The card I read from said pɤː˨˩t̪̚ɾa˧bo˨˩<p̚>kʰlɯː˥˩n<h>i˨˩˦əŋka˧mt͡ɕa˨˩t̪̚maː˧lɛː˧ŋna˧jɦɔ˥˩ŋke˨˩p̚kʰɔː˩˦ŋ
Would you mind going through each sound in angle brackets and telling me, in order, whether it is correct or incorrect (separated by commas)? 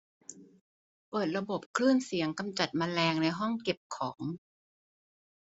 correct, incorrect